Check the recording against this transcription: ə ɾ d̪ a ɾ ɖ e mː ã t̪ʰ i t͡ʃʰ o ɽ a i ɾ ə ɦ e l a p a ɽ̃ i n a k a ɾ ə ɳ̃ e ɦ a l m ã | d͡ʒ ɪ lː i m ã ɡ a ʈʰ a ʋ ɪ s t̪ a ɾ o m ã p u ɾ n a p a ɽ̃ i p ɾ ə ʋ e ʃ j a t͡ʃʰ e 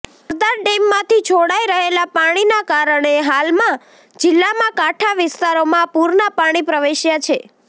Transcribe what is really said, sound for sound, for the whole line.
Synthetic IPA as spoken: ə ɾ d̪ a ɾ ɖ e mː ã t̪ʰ i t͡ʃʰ o ɽ a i ɾ ə ɦ e l a p a ɽ̃ i n a k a ɾ ə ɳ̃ e ɦ a l m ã | d͡ʒ ɪ lː a m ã k a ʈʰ a ʋ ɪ s t̪ a ɾ o m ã p u ɾ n a p a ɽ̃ i p ɾ ə ʋ e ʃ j a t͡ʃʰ e